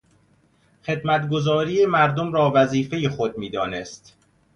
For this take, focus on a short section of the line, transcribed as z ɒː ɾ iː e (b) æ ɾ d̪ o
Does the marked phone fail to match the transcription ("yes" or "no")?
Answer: yes